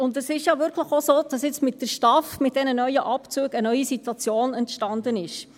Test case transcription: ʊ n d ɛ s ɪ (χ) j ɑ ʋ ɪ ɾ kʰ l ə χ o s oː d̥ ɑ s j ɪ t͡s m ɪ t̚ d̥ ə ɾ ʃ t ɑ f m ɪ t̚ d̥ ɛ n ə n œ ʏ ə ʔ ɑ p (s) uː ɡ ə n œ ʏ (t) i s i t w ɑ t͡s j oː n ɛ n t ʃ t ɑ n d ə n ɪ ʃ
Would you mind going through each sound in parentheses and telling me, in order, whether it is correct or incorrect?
incorrect: ʃ, incorrect: t͡s, incorrect: none

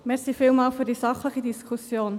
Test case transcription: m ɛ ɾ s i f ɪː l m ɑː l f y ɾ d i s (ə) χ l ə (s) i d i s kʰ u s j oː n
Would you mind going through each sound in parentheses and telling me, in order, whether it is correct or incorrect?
incorrect: ɑ, incorrect: χ

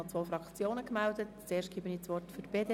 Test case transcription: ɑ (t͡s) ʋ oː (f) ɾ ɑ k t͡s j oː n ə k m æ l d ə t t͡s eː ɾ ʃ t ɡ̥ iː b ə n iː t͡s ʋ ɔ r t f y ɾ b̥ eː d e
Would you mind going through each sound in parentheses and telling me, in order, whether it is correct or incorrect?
correct, correct

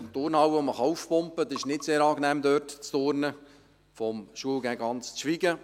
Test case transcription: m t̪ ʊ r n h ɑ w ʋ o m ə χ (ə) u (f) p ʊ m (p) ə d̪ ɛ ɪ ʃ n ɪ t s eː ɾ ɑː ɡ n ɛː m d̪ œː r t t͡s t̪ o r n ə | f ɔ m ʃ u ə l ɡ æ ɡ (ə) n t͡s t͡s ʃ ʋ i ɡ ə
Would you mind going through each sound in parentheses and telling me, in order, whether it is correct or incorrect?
incorrect: ɑ, correct, correct, incorrect: ɑ

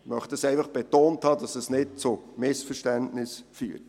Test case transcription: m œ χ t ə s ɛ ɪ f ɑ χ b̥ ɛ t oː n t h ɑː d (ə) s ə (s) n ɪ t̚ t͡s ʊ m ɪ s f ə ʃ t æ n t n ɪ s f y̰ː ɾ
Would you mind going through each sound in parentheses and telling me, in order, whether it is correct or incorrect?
incorrect: ɑ, correct

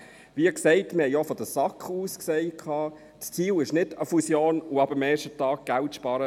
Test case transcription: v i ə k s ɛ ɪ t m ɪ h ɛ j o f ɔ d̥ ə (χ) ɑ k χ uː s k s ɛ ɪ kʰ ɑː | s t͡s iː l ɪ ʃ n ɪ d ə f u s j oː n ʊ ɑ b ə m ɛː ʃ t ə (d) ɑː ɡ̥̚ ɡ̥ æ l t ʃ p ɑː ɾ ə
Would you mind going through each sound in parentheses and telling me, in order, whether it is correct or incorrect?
incorrect: s, incorrect: t

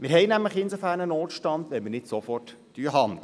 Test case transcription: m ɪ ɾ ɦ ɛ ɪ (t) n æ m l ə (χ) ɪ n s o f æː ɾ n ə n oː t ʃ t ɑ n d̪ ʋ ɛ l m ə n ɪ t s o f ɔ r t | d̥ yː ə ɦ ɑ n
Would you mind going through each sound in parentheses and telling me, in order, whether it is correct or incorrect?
incorrect: none, correct

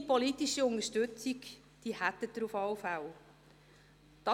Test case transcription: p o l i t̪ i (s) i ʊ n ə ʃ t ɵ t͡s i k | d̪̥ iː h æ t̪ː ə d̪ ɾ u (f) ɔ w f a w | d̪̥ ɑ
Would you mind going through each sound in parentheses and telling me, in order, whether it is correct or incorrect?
incorrect: ʃ, correct

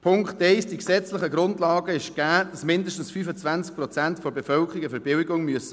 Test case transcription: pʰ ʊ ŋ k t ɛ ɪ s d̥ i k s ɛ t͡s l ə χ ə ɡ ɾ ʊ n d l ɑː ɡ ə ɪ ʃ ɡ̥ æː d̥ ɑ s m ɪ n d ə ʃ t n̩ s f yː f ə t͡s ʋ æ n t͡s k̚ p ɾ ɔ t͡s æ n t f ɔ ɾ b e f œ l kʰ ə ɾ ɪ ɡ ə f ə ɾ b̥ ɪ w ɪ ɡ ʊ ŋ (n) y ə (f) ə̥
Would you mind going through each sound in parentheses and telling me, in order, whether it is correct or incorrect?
incorrect: m, incorrect: s

